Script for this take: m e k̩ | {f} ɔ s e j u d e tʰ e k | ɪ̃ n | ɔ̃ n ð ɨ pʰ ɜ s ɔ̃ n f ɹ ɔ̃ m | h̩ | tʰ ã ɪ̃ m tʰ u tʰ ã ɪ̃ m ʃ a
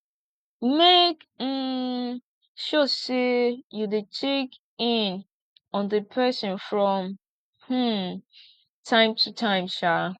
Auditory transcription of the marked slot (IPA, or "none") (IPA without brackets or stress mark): ʃ